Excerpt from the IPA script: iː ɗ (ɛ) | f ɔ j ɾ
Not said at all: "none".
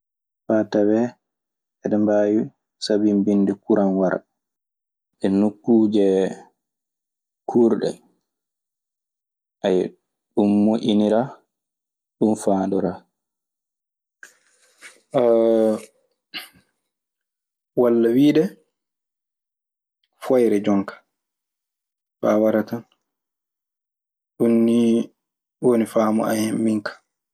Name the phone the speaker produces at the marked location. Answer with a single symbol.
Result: ɛ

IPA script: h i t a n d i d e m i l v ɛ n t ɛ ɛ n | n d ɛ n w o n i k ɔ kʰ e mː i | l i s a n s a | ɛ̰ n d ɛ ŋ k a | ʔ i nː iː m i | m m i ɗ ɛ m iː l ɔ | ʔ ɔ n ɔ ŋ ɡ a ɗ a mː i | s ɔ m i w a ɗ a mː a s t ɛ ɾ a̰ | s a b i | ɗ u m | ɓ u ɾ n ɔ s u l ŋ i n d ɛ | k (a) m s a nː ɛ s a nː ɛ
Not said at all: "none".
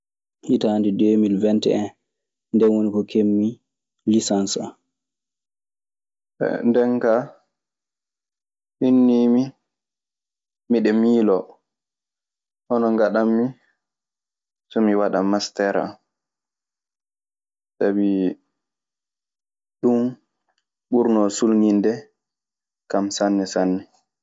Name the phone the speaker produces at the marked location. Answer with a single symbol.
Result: a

